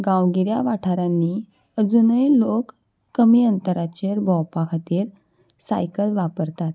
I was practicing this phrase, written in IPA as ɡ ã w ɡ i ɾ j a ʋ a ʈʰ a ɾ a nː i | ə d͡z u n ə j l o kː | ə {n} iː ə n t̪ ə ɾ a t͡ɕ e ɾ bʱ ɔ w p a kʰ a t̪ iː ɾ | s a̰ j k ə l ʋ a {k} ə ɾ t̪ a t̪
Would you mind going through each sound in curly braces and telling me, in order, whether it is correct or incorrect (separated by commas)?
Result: incorrect, incorrect